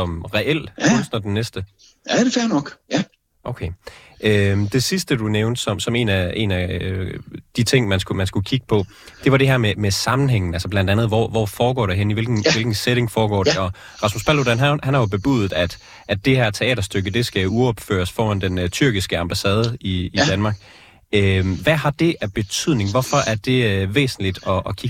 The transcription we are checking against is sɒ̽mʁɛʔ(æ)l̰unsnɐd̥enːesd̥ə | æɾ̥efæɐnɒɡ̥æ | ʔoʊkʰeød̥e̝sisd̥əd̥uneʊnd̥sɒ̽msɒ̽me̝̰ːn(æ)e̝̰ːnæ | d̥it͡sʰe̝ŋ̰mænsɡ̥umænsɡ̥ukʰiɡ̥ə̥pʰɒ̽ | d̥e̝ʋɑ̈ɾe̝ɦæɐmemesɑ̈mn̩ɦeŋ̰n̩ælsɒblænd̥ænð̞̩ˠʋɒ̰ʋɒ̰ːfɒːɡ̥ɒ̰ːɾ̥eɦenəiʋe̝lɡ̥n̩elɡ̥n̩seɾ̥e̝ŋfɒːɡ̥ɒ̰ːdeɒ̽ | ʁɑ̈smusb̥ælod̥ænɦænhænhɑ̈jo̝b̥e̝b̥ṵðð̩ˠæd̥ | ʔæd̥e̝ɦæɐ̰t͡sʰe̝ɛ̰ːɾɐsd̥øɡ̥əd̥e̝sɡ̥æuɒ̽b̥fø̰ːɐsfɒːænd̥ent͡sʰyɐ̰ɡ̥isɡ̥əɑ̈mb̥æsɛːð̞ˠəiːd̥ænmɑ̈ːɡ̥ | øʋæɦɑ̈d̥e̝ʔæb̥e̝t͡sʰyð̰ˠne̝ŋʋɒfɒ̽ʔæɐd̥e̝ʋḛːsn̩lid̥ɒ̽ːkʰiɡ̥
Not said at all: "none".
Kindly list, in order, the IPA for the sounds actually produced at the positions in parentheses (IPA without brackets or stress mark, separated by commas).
e, æ